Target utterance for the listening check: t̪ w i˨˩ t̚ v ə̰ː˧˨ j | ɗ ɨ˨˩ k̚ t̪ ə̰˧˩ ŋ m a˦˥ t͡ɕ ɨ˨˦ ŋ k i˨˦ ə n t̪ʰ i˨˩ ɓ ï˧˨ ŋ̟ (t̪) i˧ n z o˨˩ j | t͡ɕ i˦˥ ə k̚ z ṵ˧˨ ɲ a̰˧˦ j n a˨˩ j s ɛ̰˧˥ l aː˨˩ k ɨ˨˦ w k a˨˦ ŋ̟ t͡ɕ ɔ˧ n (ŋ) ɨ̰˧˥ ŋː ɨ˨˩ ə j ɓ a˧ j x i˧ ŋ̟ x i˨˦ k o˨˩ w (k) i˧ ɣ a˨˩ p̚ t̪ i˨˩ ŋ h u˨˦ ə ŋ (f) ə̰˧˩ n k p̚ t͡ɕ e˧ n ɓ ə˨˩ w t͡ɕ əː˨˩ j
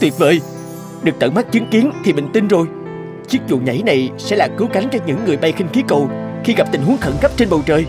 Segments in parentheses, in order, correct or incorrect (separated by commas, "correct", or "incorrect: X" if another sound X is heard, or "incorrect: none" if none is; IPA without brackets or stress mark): correct, incorrect: ɲ, incorrect: x, incorrect: x